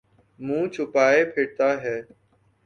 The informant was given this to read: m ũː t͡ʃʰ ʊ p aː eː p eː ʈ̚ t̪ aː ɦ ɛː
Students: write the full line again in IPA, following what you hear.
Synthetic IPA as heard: m ũː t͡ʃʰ ʊ p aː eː pʰ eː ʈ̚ t̪ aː ɦ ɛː